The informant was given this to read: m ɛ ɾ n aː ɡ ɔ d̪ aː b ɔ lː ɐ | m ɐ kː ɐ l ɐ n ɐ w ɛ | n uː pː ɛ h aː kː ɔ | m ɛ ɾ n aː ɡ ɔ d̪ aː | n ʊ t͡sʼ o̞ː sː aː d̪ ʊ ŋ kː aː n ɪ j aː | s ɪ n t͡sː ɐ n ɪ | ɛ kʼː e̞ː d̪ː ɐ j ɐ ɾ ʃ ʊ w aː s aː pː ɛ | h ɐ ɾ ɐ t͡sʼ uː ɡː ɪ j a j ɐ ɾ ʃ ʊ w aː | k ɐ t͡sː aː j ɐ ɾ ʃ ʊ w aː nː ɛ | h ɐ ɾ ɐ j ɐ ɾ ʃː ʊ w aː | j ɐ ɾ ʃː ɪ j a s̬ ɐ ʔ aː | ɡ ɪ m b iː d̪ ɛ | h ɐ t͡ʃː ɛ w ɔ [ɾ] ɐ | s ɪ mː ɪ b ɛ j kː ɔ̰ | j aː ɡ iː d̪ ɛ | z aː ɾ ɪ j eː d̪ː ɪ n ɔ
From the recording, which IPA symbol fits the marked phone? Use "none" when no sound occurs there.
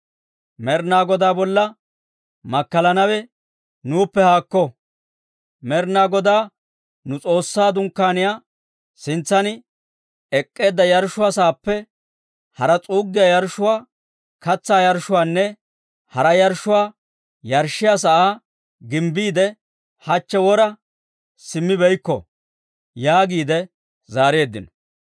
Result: ɾ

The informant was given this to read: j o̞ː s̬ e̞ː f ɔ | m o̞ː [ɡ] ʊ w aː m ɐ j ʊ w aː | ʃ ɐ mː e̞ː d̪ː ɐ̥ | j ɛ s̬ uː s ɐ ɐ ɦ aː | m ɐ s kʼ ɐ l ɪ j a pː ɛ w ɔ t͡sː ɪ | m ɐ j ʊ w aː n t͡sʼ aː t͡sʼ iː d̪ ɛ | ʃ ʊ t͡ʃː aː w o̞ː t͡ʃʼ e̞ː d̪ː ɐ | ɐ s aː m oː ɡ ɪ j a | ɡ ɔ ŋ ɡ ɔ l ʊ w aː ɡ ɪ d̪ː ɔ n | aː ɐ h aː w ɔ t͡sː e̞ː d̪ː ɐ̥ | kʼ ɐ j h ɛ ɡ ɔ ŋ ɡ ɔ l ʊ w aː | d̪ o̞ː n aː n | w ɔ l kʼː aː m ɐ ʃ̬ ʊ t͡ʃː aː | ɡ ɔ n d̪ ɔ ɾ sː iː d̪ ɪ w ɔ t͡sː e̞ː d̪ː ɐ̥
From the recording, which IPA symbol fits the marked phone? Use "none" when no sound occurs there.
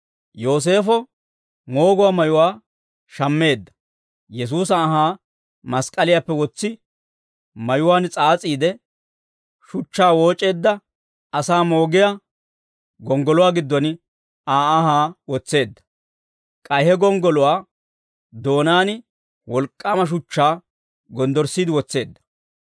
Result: ɡ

